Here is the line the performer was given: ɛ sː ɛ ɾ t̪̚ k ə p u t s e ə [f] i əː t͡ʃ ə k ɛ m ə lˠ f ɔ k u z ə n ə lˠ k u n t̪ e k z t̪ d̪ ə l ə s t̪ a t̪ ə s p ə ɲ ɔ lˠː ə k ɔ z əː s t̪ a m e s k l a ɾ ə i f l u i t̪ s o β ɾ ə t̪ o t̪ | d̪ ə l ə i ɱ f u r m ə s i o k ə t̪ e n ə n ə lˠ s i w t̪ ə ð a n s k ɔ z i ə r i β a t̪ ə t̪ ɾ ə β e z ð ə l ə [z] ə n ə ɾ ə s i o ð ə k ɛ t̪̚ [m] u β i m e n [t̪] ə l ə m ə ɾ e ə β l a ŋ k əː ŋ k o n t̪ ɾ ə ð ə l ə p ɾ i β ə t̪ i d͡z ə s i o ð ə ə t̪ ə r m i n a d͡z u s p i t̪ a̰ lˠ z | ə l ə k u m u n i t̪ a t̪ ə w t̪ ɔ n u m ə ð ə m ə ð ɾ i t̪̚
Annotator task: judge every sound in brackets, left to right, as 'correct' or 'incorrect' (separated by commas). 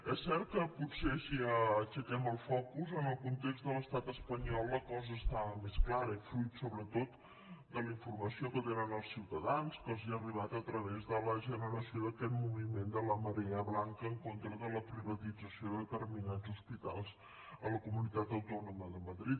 incorrect, incorrect, correct, incorrect